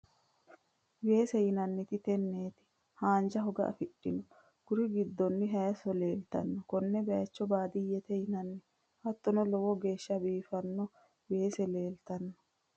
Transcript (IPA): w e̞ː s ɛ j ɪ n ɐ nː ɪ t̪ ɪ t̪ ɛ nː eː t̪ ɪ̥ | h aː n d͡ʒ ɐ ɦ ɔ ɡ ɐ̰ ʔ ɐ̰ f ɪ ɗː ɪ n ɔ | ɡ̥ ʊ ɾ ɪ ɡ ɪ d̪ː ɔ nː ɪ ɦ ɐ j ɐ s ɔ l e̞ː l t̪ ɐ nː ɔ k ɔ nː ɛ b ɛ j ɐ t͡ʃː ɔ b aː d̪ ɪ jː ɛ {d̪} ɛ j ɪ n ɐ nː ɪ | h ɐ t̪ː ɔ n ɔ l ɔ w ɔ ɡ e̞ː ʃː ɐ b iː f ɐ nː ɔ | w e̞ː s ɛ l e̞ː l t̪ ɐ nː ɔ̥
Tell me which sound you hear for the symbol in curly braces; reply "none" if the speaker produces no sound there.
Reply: t̪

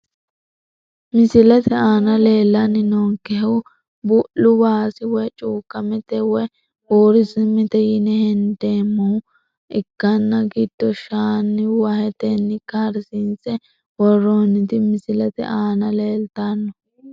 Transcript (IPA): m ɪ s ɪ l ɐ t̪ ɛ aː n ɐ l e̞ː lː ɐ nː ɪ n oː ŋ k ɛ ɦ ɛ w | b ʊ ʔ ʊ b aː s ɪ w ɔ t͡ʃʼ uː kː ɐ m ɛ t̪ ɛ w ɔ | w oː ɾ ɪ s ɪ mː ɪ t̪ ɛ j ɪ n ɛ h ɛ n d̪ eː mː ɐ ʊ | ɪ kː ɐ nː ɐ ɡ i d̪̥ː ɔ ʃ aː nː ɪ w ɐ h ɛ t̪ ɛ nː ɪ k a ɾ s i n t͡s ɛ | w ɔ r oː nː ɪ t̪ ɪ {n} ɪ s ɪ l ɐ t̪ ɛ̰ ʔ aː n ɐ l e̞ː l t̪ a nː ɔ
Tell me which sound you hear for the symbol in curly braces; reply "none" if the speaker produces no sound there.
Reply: m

